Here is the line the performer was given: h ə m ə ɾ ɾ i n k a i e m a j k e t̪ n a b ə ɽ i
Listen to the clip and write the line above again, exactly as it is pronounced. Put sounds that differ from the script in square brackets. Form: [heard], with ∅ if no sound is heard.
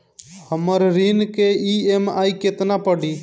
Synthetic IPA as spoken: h ə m ə ɾ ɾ i n k [e] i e m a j k e t̪ n a [p] ə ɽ i